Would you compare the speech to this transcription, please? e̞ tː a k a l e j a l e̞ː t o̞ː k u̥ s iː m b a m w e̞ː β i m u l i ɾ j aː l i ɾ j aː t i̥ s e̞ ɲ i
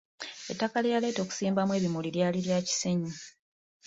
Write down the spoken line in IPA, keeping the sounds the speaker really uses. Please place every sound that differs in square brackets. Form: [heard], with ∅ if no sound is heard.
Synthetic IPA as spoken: e̞ tː a k a l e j a l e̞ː t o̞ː k u̥ s iː m b a m w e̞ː β i m u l i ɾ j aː l i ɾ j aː [c] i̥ s e̞ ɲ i

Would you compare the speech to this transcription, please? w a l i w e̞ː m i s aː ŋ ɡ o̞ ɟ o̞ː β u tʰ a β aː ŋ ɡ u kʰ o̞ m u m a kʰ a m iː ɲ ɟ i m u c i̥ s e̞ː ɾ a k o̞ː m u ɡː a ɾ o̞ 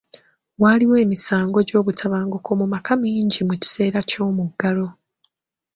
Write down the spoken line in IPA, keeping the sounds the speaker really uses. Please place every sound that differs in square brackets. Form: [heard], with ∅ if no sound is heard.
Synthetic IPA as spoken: w a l i w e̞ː m i s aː ŋ ɡ o̞ ɟ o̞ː β u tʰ a β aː ŋ ɡ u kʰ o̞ m u m a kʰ a m iː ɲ ɟ i m u c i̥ s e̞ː ɾ a [c] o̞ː m u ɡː a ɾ o̞

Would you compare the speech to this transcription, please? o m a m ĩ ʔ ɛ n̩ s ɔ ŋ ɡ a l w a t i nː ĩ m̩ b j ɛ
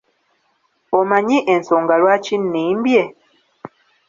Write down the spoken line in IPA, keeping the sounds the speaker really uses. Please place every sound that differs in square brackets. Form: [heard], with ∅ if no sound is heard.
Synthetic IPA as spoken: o m a [ɲ] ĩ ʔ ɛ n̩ s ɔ ŋ ɡ a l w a [t͡ʃ] i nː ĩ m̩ b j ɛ

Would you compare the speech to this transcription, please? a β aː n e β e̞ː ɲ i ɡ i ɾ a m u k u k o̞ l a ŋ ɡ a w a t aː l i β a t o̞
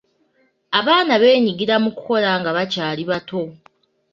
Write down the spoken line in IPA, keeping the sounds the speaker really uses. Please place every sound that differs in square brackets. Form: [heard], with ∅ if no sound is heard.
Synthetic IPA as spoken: a β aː n [a] β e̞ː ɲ i ɡ i ɾ a m u k u k o̞ l a ŋ ɡ a [β] a [c] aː l i β a t o̞

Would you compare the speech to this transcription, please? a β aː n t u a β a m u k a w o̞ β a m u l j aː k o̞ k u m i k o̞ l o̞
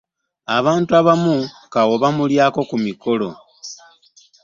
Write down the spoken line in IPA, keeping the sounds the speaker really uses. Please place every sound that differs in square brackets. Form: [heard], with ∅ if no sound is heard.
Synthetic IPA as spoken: a β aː n t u a β a m u k a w o̞ β a m u l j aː k o̞ k u m i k o̞ l o̞

